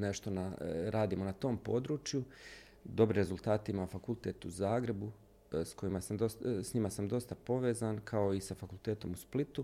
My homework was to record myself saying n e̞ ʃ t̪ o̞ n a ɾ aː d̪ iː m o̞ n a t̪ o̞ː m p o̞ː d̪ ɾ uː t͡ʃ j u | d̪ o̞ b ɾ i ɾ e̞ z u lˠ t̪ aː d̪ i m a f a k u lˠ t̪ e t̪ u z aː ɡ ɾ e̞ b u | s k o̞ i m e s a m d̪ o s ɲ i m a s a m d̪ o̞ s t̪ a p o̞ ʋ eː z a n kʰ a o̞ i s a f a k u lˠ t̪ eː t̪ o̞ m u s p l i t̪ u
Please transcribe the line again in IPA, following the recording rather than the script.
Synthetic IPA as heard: n e̞ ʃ t̪ o̞ n a ɾ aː d̪ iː m o̞ n a t̪ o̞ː m p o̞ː d̪ ɾ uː t͡ʃ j u | d̪ o̞ b ɾ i ɾ e̞ z u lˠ t̪ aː t̪ i m a f a k u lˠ t̪ e t̪ u z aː ɡ ɾ e̞ b u | s k o̞ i m a s a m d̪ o s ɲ i m a s a m d̪ o̞ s t̪ a p o̞ ʋ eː z a n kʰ a o̞ i s a f a k u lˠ t̪ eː t̪ o̞ m u s p l i t̪ u